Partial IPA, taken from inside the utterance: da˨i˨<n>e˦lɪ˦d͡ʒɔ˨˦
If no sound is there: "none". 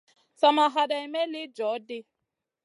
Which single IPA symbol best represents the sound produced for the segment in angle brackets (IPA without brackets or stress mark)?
m